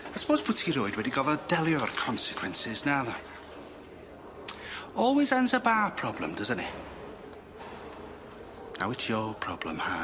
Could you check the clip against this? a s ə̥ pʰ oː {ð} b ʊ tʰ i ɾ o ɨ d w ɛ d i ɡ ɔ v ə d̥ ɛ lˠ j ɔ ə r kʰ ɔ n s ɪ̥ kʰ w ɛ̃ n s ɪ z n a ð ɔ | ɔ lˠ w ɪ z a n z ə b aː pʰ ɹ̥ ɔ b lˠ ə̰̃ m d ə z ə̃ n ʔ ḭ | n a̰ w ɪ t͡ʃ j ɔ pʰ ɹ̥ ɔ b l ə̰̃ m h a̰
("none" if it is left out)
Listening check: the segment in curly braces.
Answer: z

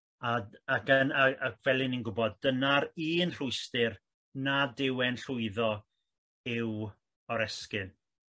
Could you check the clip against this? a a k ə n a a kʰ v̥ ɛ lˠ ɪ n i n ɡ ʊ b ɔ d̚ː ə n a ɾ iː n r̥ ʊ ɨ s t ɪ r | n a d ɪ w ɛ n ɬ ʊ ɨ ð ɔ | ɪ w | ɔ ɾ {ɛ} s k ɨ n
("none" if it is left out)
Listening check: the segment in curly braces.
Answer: ɛ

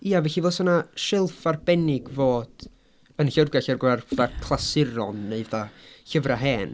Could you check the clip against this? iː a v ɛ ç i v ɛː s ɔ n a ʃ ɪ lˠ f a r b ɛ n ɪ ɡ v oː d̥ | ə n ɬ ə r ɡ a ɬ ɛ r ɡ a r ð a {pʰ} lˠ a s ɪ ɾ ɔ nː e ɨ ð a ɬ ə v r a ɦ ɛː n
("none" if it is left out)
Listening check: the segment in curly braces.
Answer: kʰ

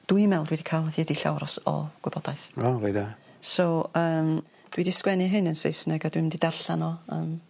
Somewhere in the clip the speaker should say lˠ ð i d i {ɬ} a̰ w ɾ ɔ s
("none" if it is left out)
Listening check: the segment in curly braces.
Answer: ɬ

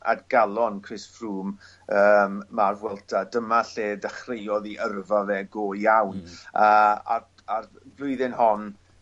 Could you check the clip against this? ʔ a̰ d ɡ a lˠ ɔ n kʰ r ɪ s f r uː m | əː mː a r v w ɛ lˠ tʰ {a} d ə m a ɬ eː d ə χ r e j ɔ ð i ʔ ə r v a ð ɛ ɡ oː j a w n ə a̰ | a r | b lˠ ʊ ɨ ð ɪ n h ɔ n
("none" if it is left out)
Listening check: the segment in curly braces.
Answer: a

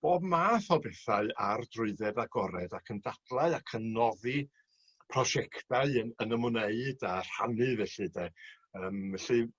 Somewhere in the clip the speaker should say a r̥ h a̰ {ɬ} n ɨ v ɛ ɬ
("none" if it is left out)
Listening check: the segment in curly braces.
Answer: none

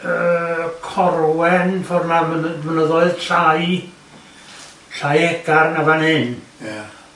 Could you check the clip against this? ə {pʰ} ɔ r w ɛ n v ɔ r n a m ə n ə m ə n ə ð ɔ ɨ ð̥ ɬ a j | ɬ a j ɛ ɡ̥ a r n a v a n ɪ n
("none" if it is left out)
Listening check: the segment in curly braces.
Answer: kʰ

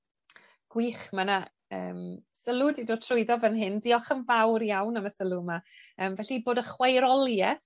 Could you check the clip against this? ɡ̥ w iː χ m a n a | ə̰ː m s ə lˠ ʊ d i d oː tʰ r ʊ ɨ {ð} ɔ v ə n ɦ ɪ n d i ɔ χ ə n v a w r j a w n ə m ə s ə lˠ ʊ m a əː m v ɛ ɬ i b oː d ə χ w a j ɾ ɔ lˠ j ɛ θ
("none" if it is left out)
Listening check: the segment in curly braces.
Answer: ð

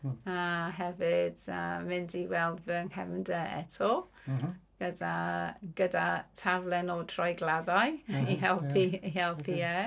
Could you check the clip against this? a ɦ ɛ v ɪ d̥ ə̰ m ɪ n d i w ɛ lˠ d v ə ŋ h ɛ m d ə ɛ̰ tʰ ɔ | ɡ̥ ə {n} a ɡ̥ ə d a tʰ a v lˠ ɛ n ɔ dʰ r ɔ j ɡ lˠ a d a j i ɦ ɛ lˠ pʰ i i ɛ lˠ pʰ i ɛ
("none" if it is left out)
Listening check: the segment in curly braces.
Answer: d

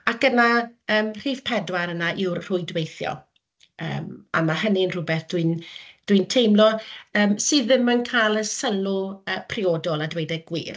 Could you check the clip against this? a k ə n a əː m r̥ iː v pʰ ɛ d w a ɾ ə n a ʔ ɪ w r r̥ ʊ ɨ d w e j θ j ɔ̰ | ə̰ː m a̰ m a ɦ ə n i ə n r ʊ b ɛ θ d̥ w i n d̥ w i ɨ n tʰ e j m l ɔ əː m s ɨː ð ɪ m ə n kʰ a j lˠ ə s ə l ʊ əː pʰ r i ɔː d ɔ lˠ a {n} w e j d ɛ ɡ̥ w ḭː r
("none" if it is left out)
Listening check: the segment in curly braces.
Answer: d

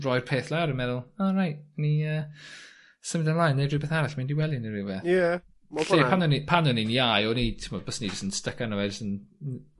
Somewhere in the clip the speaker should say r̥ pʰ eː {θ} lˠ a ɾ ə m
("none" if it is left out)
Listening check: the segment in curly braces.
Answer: θ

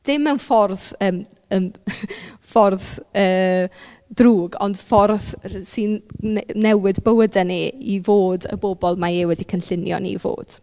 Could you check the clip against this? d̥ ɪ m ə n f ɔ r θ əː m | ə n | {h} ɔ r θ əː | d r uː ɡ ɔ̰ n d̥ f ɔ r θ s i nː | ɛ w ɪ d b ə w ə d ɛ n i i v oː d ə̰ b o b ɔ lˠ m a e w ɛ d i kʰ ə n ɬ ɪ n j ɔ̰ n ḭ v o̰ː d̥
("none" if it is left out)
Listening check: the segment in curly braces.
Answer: f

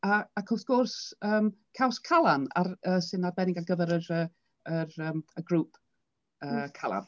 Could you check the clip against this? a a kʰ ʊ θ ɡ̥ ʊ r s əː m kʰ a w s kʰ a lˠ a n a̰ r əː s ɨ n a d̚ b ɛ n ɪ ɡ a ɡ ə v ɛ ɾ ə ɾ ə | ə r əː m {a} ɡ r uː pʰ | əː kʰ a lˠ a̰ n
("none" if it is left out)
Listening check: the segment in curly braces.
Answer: ə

